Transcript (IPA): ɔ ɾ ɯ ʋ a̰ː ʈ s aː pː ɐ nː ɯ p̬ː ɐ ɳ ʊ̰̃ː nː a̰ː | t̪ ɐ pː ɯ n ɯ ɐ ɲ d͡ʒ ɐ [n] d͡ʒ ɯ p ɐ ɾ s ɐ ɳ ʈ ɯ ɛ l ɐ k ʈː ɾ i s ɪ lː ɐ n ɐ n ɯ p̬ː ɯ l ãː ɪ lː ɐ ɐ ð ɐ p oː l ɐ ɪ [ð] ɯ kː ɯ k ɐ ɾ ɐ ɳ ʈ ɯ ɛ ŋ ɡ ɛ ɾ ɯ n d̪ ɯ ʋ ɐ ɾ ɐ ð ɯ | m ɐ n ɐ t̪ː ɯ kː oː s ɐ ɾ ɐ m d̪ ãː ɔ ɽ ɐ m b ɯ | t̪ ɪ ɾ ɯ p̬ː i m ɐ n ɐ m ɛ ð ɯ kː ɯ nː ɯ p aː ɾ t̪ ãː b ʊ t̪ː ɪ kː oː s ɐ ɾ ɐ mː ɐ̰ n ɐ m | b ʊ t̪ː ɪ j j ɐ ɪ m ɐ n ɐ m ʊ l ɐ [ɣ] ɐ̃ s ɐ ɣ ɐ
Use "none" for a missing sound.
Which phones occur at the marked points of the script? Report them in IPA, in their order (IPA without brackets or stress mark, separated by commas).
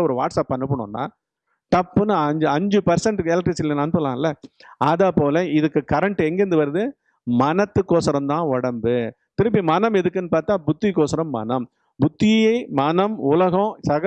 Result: ɲ, ð, ɣ